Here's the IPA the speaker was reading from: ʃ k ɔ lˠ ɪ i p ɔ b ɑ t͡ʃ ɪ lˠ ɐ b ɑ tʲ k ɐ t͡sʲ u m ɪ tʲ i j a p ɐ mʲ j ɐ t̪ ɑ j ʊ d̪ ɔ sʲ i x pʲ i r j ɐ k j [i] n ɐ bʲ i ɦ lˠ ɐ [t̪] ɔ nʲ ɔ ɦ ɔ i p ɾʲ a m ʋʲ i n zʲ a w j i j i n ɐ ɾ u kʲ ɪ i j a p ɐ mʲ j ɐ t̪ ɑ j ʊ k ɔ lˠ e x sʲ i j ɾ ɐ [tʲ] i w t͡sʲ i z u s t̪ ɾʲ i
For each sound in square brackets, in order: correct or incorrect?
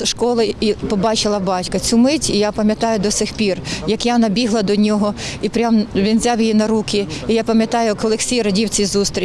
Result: incorrect: a, incorrect: d̪, incorrect: dʲ

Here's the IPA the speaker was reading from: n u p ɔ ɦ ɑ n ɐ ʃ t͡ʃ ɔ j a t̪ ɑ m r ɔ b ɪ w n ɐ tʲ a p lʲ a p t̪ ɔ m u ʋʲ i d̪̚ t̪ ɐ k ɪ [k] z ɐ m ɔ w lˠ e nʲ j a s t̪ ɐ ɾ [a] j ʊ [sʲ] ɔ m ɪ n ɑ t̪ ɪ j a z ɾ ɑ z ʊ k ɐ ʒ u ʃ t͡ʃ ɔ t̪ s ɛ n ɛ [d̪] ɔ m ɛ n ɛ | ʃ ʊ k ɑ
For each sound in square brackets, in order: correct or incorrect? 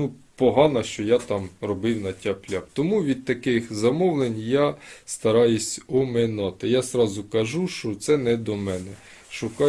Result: incorrect: x, incorrect: ɑ, correct, correct

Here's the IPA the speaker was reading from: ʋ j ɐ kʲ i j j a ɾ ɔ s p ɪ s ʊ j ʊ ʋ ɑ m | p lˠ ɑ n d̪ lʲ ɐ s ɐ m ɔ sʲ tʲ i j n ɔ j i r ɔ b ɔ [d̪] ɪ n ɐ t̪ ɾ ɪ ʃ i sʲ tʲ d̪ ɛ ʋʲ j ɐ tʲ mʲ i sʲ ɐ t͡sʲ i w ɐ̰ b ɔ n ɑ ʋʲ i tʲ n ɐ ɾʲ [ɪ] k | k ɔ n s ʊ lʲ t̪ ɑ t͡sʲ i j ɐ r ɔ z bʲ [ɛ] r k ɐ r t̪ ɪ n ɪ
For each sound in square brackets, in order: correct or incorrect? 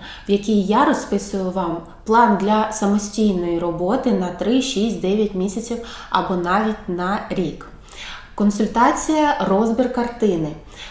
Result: incorrect: t̪, incorrect: i, incorrect: i

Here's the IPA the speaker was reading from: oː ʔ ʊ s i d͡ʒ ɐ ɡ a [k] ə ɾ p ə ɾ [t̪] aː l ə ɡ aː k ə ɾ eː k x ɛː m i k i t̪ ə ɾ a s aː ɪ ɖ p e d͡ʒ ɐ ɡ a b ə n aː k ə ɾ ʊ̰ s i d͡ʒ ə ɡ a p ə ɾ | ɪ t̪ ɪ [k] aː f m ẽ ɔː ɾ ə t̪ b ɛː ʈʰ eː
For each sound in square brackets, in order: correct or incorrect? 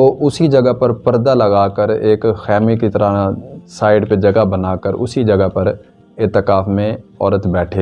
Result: incorrect: p, incorrect: d̪, correct

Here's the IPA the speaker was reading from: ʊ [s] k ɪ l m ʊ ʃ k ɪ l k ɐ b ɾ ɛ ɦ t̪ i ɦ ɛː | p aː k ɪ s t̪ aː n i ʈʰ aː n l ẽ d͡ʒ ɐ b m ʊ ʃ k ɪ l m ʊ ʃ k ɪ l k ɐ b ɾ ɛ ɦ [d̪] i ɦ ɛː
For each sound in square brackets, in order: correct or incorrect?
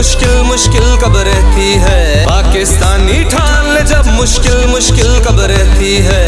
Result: incorrect: ʃ, incorrect: t̪

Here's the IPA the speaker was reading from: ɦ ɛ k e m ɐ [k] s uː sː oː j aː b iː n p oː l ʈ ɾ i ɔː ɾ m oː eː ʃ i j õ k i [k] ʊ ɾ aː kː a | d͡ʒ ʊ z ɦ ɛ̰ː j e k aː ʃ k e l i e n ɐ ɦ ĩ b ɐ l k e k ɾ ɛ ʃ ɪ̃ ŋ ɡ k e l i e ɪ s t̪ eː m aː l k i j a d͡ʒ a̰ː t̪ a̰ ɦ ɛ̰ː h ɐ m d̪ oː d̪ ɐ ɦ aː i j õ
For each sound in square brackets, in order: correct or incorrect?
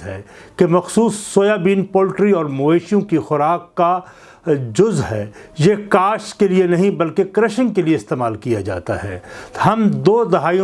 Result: incorrect: x, incorrect: x

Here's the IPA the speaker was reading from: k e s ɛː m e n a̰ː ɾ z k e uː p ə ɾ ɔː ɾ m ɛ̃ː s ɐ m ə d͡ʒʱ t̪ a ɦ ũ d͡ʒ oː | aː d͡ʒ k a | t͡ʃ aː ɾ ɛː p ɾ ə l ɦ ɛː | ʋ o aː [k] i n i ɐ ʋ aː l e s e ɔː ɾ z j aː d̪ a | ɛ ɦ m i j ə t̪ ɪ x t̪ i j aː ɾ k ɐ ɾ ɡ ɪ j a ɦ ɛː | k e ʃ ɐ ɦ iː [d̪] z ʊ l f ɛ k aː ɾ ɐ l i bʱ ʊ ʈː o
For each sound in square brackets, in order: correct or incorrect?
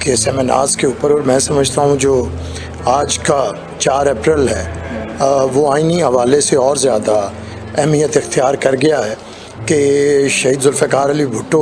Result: incorrect: none, correct

